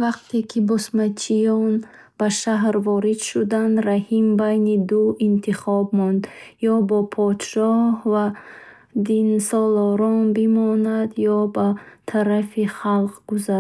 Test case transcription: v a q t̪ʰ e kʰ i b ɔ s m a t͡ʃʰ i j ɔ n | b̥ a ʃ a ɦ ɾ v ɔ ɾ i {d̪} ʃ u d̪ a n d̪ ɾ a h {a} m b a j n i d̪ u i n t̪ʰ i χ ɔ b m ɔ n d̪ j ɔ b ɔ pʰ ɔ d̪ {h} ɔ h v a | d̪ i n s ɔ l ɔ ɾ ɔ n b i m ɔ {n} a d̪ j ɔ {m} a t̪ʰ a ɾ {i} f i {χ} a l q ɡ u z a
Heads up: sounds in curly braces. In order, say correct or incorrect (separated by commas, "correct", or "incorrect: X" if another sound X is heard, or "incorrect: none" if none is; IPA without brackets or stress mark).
correct, incorrect: i, incorrect: ʃ, correct, incorrect: b, incorrect: a, correct